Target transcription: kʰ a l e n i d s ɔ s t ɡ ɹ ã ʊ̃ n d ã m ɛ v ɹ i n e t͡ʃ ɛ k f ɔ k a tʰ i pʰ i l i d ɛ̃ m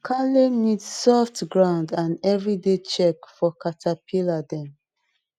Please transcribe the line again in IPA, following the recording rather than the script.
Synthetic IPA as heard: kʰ a l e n i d s ɔ f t ɡ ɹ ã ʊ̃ n d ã n ɛ v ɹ i d e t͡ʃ ɛ k f ɔ k a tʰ a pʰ i l a d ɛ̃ m